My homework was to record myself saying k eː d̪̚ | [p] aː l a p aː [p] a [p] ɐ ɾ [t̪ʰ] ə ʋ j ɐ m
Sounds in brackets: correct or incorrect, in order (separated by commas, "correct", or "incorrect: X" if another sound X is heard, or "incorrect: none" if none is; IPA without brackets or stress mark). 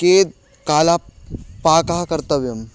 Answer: incorrect: k, incorrect: k, incorrect: k, incorrect: t̪